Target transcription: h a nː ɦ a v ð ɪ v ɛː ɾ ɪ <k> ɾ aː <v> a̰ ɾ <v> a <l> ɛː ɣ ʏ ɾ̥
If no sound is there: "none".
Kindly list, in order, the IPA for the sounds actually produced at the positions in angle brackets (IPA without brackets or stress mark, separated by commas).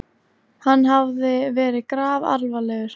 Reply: k, v, v, l